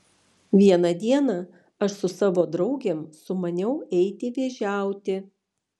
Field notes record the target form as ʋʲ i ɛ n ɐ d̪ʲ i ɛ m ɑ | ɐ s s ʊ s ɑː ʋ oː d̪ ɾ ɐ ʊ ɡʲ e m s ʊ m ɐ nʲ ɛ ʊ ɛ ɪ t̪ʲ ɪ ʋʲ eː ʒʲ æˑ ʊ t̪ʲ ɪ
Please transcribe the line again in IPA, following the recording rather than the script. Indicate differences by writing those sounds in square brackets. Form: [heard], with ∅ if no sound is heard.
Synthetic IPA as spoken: ʋʲ i ɛ n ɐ d̪ʲ i ɛ [n] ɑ | ɐ [ʃ] s ʊ s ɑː ʋ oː d̪ ɾ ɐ ʊ ɡʲ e m s ʊ m ɐ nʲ ɛ ʊ ɛ ɪ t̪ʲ ɪ ʋʲ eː ʒʲ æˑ ʊ t̪ʲ ɪ

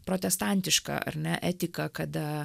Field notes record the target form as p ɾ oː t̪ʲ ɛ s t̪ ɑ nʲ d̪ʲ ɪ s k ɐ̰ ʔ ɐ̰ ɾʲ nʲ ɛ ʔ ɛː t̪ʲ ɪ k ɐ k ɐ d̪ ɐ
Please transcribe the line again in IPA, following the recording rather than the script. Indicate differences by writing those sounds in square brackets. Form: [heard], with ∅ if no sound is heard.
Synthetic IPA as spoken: p ɾ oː t̪ʲ ɛ s t̪ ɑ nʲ [t̪ʲ] ɪ [ʃ] k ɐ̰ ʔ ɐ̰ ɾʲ nʲ ɛ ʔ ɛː t̪ʲ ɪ k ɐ k ɐ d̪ ɐ

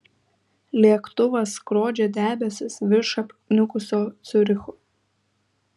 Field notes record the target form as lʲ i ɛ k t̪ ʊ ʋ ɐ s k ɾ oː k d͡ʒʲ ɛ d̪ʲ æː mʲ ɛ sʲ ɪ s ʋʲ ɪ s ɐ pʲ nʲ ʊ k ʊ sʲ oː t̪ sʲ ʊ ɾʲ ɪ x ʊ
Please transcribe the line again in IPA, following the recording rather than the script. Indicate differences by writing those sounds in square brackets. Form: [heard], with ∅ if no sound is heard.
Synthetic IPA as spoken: lʲ i ɛ k t̪ ʊ ʋ ɐ s k ɾ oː [∅] d͡ʒʲ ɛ d̪ʲ æː [bʲ] ɛ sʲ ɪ s ʋʲ ɪ [ʃ] ɐ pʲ nʲ ʊ k ʊ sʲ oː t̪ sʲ ʊ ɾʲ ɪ x ʊ

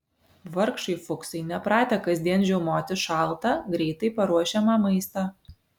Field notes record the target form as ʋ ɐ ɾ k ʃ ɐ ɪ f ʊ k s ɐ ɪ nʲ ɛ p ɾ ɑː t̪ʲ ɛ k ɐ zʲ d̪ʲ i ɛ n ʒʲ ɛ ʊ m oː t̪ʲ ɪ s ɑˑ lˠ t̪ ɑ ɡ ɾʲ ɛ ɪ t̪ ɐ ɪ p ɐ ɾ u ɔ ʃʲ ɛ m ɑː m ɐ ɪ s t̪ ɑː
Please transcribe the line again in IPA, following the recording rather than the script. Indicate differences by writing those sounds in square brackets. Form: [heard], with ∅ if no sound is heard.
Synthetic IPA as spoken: ʋ ɐ ɾ k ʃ ɐ ɪ f ʊ k s ɐ ɪ nʲ ɛ p ɾ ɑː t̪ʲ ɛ k ɐ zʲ d̪ʲ i ɛ n ʒʲ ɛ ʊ m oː t̪ʲ ɪ [ʃ] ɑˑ lˠ t̪ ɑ ɡ ɾʲ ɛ ɪ t̪ ɐ ɪ p ɐ ɾ u ɔ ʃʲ ɛ m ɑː m ɐ ɪ s t̪ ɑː

